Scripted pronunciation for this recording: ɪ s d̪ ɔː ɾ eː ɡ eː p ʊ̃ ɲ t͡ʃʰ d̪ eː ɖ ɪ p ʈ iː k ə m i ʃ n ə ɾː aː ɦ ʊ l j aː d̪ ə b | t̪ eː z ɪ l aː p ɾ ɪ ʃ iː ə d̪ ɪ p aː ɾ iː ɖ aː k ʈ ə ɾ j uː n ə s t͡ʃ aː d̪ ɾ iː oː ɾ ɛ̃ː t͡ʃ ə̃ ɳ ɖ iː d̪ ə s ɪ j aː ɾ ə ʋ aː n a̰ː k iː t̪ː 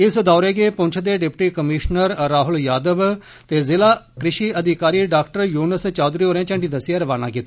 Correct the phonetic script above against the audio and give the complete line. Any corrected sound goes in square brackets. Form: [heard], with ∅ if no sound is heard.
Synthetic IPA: ɪ s d̪ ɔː ɾ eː ɡ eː p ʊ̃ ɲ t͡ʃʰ d̪ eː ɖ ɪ p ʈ iː k ə m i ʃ n ə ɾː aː ɦ ʊ l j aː d̪ ə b | t̪ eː z ɪ l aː [k] ɾ ɪ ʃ iː ə d̪ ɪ [k] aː ɾ iː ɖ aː k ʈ ə ɾ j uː n ə s t͡ʃ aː d̪ ɾ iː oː ɾ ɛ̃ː t͡ʃ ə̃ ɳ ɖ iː d̪ ə s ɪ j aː ɾ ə ʋ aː n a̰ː k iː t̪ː